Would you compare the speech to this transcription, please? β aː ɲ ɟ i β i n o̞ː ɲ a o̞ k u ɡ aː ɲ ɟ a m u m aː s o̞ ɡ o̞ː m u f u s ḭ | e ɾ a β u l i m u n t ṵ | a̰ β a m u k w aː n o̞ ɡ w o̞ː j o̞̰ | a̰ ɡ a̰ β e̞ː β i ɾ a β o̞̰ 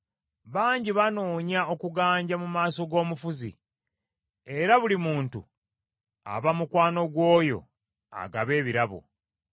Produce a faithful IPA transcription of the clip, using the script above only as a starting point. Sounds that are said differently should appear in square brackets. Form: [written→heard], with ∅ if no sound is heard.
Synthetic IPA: β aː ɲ ɟ i β [i→a] n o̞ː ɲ a o̞ k u ɡ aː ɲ ɟ a m u m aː s o̞ ɡ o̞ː m u f u [s→z] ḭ | e ɾ a β u l i m [u→uː] n t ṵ | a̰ β a m u k w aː n o̞ ɡ w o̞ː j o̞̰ | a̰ ɡ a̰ β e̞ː β i ɾ a β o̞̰